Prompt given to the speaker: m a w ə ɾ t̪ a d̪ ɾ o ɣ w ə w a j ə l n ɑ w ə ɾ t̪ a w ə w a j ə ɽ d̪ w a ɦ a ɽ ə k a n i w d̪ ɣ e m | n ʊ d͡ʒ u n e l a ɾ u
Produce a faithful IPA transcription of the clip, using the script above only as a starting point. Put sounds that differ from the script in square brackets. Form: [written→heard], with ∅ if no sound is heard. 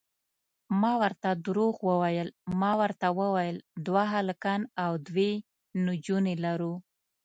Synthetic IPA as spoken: m [a→ɑ] w ə ɾ t̪ a d̪ ɾ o ɣ w ə w a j ə l [n→m] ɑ w ə ɾ t̪ a w ə w a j ə [ɽ→l] d̪ w a ɦ a [ɽ→l] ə k a n [i→a] w d̪ [ɣ→w] e [m→∅] | n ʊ d͡ʒ u n e l a ɾ u